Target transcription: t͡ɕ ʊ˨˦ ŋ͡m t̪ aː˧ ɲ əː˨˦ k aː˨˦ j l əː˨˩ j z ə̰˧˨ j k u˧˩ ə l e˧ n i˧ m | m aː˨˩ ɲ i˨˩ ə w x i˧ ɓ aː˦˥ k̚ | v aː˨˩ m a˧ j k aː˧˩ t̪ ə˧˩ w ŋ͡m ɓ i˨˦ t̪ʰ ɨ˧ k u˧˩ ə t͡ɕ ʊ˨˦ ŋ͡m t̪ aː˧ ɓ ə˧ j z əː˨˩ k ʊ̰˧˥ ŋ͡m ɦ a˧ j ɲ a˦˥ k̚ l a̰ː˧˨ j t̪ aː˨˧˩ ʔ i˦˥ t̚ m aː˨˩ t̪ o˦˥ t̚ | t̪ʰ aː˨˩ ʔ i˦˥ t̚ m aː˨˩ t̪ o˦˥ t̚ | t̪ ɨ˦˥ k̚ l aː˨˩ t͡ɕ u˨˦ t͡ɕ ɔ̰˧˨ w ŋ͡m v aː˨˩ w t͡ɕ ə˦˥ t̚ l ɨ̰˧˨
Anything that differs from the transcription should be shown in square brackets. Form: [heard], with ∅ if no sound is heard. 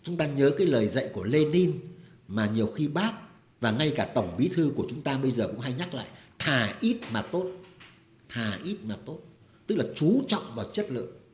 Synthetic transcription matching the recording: t͡ɕ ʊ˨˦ ŋ͡m t̪ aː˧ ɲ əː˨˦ k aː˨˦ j l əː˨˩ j z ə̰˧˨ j k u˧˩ ə l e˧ n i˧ [n] | m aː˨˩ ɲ i˨˩ ə w x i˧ ɓ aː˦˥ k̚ | v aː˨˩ [ŋ] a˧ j k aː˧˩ t̪ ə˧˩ w ŋ͡m ɓ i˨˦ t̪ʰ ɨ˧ k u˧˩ ə t͡ɕ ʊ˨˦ ŋ͡m t̪ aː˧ ɓ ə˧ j z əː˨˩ k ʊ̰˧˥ ŋ͡m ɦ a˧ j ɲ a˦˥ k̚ l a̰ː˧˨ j [t̪ʰ] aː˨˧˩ ʔ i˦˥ t̚ m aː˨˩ t̪ o˦˥ t̚ | t̪ʰ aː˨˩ ʔ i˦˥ t̚ m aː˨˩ t̪ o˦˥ t̚ | t̪ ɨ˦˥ k̚ l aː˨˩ t͡ɕ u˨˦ t͡ɕ ɔ̰˧˨ w ŋ͡m v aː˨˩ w t͡ɕ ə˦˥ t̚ l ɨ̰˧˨